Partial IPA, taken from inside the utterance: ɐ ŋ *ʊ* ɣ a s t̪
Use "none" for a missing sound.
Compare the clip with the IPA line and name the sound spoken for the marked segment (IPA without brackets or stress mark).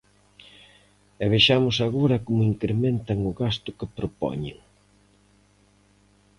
ʊ